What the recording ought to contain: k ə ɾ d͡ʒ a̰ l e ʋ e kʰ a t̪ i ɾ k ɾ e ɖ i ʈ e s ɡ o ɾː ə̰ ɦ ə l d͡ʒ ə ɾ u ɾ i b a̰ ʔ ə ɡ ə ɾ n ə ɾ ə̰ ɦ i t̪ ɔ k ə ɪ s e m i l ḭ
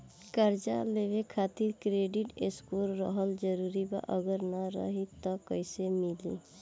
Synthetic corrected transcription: k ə ɾ d͡ʒ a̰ l e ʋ e kʰ a t̪ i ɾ k ɾ e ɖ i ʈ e s k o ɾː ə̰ ɦ ə l d͡ʒ ə ɾ u ɾ i b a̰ ʔ ə ɡ ə ɾ n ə ɾ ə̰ ɦ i t̪ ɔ k ə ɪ s e m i l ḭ